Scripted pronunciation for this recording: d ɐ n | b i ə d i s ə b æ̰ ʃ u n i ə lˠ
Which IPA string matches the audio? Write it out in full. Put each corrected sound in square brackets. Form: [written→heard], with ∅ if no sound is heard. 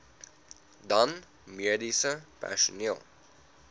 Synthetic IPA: d ɐ n | [b→m] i ə d i s ə [b→p] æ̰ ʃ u n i ə lˠ

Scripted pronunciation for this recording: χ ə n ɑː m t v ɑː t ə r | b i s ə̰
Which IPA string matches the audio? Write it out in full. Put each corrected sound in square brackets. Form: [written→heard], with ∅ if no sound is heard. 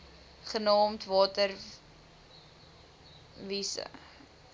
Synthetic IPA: χ ə n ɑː m t v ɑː t ə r | [b→v] i s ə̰

